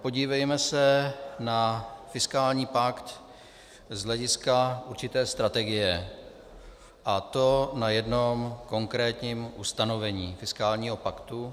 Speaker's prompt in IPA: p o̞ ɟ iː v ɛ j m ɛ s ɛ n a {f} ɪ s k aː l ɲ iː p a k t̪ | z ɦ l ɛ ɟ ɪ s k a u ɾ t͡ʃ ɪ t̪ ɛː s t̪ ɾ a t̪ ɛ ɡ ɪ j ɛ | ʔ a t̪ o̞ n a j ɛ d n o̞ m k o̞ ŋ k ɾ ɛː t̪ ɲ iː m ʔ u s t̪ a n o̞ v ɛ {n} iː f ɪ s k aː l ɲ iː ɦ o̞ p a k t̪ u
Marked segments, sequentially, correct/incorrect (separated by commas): correct, incorrect